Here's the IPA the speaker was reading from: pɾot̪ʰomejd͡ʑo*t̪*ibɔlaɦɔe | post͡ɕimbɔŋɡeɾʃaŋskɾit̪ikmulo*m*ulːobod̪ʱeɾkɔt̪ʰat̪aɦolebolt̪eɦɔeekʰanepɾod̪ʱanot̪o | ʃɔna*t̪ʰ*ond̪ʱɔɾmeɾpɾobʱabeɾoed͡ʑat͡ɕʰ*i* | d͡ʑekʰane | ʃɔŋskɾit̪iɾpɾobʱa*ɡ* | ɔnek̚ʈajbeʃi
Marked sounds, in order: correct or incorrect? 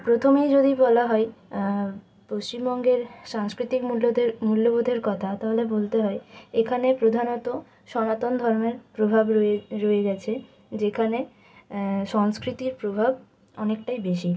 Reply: incorrect, correct, incorrect, incorrect, incorrect

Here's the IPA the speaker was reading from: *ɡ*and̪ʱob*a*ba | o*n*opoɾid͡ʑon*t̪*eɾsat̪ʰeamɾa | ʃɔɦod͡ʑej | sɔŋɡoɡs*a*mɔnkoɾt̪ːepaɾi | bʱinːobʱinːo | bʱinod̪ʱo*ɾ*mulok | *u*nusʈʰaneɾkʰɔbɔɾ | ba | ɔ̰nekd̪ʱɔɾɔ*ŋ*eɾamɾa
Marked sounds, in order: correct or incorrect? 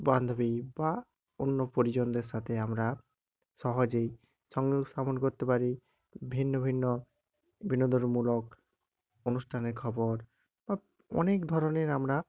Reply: incorrect, incorrect, incorrect, incorrect, correct, correct, incorrect, incorrect

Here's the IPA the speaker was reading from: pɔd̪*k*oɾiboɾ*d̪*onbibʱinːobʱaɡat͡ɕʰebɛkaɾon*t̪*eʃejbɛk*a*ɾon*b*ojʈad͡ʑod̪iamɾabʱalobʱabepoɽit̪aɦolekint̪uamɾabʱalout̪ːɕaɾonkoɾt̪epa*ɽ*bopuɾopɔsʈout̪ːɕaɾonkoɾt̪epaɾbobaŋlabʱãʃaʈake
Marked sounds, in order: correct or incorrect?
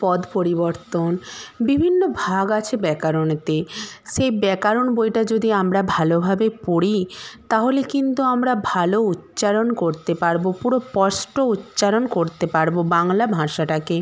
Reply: incorrect, incorrect, correct, correct, correct, incorrect

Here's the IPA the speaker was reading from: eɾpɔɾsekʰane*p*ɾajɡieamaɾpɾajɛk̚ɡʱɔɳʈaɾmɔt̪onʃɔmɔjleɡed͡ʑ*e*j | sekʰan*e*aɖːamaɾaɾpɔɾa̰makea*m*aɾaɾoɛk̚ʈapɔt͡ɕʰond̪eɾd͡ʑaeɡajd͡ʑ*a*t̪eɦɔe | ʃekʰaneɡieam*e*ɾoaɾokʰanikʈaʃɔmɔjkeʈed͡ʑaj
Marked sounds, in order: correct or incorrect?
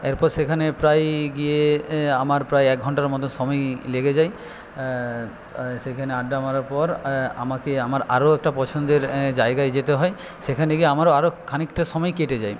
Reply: correct, incorrect, correct, correct, incorrect, incorrect

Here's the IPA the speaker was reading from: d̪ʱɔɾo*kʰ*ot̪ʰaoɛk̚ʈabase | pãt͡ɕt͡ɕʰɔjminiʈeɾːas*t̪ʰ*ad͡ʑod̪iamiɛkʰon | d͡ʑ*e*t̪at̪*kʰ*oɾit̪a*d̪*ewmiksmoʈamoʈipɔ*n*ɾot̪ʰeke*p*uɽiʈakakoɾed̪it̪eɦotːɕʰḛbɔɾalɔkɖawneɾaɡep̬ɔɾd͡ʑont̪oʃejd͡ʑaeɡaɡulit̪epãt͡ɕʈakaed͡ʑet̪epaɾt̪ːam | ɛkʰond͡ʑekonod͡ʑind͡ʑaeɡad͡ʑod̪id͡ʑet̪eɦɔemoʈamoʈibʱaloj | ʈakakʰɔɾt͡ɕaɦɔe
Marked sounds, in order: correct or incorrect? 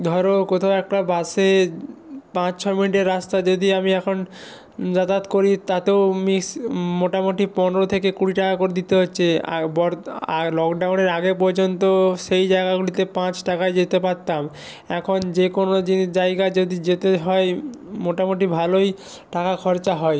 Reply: incorrect, incorrect, incorrect, incorrect, incorrect, correct, incorrect

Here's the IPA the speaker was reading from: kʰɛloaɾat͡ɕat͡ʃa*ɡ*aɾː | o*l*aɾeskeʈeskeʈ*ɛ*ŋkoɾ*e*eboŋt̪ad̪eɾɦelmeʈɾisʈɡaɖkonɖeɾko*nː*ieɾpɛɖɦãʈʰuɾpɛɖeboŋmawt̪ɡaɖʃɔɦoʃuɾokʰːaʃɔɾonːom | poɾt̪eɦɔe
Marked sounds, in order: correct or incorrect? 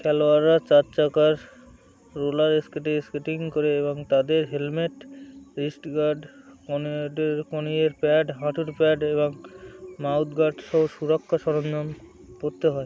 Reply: incorrect, correct, incorrect, correct, incorrect

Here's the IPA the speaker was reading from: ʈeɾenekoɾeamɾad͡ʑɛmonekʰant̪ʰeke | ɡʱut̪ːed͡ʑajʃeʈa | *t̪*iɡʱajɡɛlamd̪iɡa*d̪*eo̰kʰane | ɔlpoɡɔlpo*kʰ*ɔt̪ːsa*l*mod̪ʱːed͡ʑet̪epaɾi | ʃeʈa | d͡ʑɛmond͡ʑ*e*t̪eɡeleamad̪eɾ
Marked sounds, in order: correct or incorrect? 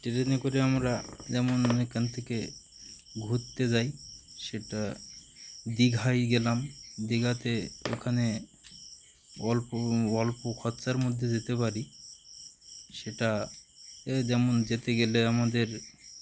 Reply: incorrect, incorrect, correct, incorrect, correct

